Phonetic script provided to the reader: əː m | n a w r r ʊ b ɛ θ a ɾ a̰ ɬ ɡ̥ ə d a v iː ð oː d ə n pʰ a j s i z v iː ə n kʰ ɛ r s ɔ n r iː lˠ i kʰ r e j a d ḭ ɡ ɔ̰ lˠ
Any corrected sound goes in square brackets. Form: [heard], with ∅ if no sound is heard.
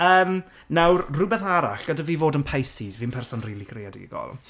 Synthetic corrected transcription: əː m | n a w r r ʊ b ɛ θ a ɾ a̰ ɬ ɡ̥ ə d a v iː [v] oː d ə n pʰ a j s i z v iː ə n [pʰ] ɛ r s ɔ n r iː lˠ i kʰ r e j a d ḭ ɡ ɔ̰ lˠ

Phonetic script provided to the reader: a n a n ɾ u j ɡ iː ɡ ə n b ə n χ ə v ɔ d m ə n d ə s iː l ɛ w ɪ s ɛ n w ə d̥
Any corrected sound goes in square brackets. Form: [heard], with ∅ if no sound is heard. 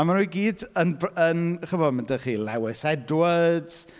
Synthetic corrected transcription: a [m] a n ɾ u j ɡ iː [d] ə n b ə n χ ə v ɔ d m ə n d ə [χ] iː l ɛ w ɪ s ɛ [d] w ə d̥

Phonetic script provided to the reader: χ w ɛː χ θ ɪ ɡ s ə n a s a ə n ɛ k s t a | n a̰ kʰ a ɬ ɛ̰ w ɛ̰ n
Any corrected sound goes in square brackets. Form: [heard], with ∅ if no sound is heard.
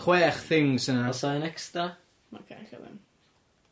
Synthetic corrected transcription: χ w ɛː χ θ ɪ [ŋ] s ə n a s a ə n ɛ k s t a | [m] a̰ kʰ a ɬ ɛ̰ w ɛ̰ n

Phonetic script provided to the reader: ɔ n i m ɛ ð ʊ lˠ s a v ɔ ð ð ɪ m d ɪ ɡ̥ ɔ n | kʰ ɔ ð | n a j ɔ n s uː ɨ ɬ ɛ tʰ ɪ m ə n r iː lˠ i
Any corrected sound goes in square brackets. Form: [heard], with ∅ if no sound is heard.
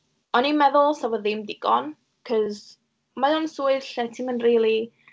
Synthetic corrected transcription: ɔ n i m ɛ ð ʊ lˠ s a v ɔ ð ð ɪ m d ɪ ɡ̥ ɔ n | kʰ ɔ [z] | [m] a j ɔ n s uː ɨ ɬ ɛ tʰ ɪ m ə n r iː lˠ i

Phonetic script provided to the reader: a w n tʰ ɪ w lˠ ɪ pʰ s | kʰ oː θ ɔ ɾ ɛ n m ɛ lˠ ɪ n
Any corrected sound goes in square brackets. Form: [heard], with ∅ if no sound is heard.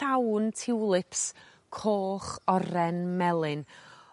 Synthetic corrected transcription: a w n tʰ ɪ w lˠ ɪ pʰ s | kʰ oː [χ] ɔ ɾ ɛ n m ɛ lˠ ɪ n

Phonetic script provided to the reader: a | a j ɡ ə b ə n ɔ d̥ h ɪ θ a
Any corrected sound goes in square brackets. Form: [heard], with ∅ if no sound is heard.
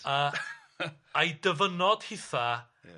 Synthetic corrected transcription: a | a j [d] ə [v] ə n ɔ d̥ h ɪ θ a

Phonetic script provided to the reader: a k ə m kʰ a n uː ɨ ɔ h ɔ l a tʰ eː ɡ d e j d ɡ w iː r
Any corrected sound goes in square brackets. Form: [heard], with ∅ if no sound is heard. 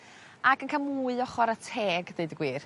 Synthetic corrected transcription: a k ə [n] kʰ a [m] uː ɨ ɔ [χ] ɔ [ɾ] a tʰ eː ɡ d e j d ɡ w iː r

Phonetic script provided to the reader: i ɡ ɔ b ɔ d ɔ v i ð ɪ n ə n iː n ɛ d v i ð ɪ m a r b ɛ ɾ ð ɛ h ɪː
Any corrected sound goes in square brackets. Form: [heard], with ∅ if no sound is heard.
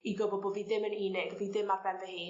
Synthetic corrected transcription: i ɡ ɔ b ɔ [b] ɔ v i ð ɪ [m] ə n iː n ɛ [ɡ] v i ð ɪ m a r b ɛ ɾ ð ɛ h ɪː

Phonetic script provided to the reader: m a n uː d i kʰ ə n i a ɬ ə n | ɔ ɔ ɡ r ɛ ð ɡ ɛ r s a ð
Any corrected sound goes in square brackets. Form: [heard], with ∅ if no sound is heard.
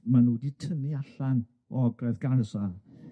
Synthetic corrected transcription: m a n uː d i [tʰ] ə n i a ɬ [a] n | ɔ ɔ ɡ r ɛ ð ɡ [a] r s a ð

